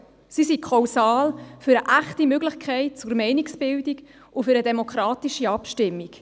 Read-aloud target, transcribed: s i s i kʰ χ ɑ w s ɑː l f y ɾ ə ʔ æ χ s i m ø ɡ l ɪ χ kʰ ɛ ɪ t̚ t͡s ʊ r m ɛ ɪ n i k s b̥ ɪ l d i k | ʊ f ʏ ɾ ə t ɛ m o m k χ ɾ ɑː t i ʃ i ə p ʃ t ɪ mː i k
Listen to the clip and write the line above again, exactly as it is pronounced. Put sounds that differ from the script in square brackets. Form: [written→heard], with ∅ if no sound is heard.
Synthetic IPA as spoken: s i s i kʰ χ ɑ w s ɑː l f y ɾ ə ʔ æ χ [s→t] i m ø ɡ l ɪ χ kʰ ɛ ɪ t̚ t͡s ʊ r m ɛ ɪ n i k s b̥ ɪ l d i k | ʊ f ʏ ɾ ə [t→d] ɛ m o [m→∅] k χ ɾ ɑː t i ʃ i [ə→ɑ] p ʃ t ɪ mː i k